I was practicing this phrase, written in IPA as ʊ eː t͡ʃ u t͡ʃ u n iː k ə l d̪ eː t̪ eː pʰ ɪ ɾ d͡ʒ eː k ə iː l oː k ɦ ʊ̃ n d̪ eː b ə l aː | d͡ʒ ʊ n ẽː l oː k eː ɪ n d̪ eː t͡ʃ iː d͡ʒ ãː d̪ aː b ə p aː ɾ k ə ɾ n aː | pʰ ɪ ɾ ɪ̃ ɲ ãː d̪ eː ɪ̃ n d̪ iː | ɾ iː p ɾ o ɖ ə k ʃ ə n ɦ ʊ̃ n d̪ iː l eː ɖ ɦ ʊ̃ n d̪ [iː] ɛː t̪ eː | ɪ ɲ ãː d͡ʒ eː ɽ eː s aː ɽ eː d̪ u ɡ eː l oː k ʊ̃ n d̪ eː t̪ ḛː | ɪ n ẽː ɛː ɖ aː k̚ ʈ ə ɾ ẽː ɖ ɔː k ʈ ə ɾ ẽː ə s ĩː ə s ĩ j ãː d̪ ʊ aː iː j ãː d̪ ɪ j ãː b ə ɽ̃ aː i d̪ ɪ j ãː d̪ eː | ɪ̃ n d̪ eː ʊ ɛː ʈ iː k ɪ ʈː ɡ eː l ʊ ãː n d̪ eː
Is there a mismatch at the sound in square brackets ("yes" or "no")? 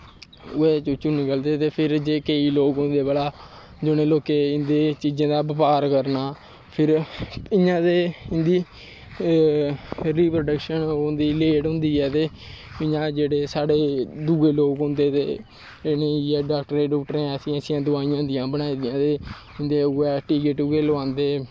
no